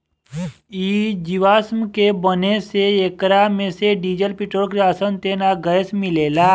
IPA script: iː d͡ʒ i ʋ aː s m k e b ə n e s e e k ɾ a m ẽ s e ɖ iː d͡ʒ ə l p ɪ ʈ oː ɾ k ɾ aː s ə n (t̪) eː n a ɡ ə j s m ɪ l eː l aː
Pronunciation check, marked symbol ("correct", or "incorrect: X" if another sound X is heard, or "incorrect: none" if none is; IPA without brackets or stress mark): correct